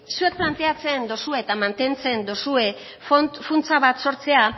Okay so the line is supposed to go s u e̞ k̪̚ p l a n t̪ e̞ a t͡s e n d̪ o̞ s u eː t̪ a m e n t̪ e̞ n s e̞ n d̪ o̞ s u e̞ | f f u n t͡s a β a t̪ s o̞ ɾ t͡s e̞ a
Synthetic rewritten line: s u e̞ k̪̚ p l a n t̪ e̞ a t͡s e n d̪ o̞ s u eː t̪ a m a n t̪ e̞ n t͡s e̞ n d̪ o̞ s u e̞ | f f u n t͡s a β a t̪ s o̞ ɾ t͡s e̞ a